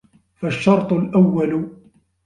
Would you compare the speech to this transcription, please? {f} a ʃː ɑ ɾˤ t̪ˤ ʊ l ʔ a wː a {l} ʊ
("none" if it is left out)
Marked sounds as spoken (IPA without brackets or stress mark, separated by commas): f, l